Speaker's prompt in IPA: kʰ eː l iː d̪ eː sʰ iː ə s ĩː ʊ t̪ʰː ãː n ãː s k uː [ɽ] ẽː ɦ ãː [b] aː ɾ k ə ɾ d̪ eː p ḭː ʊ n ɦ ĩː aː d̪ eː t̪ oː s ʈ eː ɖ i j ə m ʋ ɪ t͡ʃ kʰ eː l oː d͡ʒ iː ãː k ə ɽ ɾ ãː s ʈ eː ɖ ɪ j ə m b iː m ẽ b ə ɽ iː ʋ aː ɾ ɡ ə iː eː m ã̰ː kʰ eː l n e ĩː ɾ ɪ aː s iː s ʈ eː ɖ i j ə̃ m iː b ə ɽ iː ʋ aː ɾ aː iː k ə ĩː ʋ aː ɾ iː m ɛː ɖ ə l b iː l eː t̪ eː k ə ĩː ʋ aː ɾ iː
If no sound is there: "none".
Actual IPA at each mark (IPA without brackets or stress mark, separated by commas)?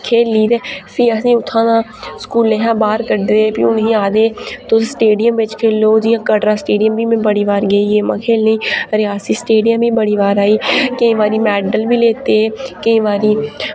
l, b